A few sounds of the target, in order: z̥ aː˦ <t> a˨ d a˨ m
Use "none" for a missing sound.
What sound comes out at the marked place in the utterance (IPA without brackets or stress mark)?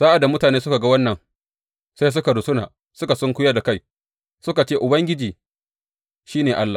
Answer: ʔ